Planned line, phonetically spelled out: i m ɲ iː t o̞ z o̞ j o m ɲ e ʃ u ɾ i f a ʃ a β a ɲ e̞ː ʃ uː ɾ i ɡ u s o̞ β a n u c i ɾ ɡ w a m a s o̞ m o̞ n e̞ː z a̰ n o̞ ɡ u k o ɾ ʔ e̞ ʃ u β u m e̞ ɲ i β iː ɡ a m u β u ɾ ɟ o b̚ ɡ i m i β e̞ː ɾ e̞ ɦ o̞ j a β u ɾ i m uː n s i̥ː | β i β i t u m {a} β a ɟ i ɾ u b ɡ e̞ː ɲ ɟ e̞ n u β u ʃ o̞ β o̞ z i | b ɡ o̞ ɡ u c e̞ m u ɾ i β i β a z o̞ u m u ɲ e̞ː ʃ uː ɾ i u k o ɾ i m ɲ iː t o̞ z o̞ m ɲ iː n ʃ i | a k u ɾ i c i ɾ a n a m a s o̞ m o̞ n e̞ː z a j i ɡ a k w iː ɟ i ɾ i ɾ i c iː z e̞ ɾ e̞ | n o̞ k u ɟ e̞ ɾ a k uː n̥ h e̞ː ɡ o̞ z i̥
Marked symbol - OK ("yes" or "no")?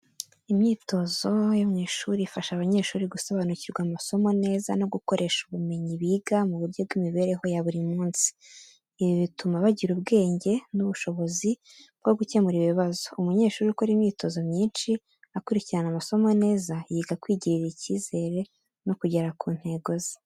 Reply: yes